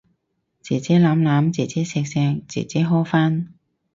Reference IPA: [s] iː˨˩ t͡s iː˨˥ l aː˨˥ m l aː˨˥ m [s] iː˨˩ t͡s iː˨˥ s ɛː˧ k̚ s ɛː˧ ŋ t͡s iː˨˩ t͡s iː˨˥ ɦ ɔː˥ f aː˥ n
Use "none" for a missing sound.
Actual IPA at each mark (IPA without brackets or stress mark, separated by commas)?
t͡s, t͡s